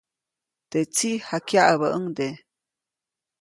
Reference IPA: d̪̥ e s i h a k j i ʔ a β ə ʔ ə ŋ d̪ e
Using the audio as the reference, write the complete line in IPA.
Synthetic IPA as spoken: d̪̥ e t͡s i h a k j a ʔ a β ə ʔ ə ŋ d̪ e